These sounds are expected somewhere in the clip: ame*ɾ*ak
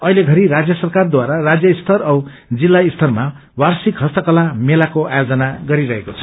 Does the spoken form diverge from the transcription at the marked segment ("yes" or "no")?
yes